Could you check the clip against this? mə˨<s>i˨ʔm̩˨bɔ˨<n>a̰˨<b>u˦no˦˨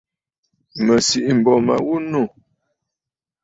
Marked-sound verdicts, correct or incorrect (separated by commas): correct, incorrect, incorrect